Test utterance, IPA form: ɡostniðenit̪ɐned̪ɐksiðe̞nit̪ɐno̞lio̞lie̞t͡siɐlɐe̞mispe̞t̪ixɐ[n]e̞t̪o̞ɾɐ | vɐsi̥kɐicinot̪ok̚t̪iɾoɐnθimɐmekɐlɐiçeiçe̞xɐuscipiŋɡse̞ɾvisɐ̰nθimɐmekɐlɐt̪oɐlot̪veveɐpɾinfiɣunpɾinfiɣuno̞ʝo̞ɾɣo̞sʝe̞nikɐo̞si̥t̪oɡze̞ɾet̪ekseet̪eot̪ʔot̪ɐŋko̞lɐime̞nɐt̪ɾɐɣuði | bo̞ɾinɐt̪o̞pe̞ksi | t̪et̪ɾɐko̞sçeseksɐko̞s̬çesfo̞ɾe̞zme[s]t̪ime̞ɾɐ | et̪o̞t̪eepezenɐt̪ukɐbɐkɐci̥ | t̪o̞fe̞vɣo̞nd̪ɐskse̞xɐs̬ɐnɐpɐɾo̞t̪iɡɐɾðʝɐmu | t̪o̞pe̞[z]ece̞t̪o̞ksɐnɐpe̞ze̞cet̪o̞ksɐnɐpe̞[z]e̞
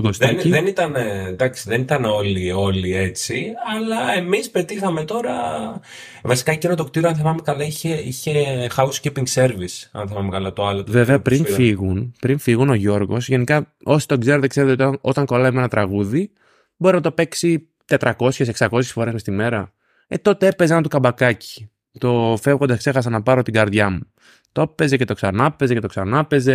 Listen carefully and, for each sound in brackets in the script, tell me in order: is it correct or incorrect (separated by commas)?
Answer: incorrect, correct, correct, correct